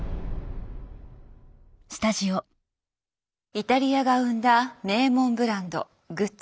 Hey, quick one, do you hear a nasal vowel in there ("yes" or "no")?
yes